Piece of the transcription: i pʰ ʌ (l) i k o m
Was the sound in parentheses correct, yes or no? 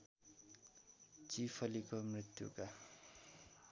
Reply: yes